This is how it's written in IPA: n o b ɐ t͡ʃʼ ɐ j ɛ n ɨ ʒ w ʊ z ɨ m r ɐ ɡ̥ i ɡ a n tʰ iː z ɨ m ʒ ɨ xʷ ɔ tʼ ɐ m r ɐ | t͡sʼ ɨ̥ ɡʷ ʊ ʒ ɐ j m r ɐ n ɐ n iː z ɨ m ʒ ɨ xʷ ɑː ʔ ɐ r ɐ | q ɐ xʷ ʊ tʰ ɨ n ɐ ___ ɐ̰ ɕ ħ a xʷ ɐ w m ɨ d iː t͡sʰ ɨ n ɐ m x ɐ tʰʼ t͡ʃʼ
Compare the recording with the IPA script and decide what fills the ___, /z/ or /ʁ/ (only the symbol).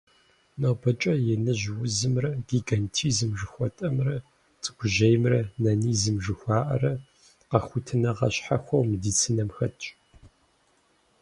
ʁ